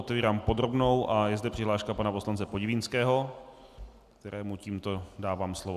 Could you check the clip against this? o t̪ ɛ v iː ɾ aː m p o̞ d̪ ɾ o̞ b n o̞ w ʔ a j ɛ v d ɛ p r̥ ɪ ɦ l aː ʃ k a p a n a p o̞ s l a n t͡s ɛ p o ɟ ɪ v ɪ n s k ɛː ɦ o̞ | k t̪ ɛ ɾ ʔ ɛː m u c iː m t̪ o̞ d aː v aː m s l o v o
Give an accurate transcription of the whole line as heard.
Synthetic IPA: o t̪ ɛ v iː ɾ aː m p o̞ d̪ ɾ o̞ b n o̞ w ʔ a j ɛ z d ɛ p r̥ ɪ ɦ l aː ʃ k a p a n a p o̞ s l a n t͡s ɛ p o ɟ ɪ v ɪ n s k ɛː ɦ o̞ | k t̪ ɛ ɾ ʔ ɛː m u c iː m t̪ o̞ d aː v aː m s l o v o